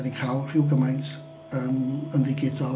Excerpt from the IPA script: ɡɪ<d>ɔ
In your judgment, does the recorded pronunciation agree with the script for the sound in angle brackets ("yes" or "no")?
yes